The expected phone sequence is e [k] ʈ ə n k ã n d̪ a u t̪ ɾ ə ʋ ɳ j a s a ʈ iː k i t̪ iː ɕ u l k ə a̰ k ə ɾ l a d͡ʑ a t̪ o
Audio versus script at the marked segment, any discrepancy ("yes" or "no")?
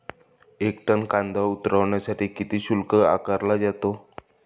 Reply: no